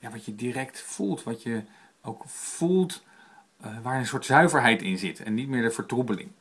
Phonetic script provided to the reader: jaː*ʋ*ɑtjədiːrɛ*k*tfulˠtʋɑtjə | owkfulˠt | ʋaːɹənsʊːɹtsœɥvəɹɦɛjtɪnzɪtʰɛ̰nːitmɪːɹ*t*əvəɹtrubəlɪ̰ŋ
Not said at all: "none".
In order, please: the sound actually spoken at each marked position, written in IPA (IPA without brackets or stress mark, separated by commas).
ʋ, k, d